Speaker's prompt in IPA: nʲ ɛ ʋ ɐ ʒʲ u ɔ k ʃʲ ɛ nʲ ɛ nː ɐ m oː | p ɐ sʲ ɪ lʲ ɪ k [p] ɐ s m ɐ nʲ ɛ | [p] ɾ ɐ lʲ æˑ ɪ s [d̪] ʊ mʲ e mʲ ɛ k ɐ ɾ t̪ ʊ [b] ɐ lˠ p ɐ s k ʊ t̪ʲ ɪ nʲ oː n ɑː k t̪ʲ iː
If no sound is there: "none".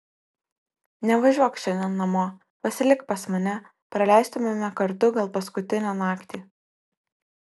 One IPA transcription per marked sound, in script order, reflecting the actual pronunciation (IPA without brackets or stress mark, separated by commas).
p, p, t̪, ɡ